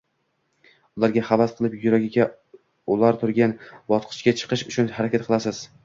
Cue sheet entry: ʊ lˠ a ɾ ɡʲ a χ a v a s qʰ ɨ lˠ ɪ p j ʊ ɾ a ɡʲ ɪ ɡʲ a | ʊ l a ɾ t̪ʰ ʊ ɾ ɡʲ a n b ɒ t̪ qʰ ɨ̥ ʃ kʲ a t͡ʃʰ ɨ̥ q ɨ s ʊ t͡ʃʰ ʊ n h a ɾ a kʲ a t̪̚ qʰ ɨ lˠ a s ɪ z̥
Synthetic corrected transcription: ʊ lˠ a ɾ ɡʲ a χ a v a s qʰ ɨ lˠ ɪ p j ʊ ɾ a ɡʲ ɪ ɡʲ a | ʊ l a ɾ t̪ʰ ʊ ɾ ɡʲ a n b ɒ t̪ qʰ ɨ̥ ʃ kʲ a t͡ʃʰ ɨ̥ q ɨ ʃ ʊ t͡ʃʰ ʊ n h a ɾ a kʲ a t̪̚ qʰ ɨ lˠ a s ɪ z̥